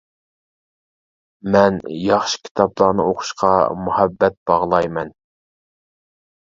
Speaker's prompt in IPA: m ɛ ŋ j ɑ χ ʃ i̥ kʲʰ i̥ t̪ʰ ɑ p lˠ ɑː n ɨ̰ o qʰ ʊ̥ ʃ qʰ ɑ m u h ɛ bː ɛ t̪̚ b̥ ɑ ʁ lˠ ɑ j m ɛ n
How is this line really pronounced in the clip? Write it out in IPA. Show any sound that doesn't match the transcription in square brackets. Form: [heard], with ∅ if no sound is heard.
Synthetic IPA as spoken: m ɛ [n] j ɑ χ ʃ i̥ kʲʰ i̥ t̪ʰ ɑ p lˠ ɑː n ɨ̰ o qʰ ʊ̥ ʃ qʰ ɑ m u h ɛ bː ɛ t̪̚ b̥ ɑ ʁ lˠ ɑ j m ɛ n